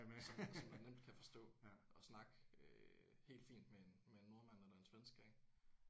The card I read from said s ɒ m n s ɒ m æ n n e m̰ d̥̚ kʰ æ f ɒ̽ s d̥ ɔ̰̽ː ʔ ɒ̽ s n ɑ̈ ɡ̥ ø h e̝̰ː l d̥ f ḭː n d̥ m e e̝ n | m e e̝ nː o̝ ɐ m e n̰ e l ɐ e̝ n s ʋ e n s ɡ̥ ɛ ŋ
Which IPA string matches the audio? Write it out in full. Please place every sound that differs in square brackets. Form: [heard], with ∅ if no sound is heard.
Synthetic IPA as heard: s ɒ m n s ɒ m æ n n e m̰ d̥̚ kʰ æ f ɒ̽ s d̥ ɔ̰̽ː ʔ ɒ̽ s n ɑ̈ ɡ̥ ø h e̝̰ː l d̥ f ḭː n d̥ m e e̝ n | m e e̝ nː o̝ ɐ m [æ] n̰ e l ɐ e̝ n s ʋ e n s ɡ̥ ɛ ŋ